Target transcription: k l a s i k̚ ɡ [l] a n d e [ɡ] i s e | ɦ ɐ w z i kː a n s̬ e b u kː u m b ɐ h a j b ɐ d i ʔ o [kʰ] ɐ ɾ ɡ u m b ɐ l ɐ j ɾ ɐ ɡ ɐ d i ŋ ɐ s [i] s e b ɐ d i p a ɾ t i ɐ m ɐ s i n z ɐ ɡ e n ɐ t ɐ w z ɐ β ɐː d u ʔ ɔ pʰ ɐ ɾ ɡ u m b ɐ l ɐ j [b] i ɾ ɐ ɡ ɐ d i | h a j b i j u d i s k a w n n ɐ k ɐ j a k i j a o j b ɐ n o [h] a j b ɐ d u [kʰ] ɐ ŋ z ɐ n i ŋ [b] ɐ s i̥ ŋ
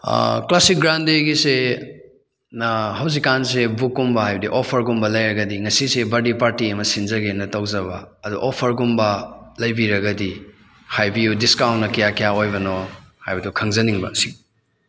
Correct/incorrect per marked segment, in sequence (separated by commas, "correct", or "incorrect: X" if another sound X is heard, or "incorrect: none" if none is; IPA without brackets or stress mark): incorrect: ɾ, correct, incorrect: pʰ, correct, correct, correct, correct, correct